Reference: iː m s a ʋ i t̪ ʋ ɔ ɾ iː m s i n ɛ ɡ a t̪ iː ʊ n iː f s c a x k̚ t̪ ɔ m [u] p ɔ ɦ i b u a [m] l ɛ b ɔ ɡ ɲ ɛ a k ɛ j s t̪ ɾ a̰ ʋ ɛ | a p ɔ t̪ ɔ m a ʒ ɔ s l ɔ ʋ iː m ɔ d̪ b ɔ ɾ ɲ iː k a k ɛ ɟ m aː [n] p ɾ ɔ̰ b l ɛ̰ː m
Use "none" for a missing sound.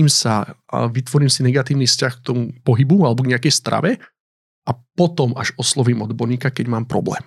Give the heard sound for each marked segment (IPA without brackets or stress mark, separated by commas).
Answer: u, none, m